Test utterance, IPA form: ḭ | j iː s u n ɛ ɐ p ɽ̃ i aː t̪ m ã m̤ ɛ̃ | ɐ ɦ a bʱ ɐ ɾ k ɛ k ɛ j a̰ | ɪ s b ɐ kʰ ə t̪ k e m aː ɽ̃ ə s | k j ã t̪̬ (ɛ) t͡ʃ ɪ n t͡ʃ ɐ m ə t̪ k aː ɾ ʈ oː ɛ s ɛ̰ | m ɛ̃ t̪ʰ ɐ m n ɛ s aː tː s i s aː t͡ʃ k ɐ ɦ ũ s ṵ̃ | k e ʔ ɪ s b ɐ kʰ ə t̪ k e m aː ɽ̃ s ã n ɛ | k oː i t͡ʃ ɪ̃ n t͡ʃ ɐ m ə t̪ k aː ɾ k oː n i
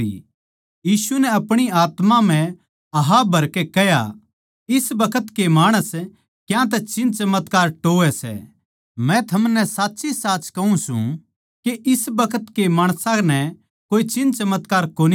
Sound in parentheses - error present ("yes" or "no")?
no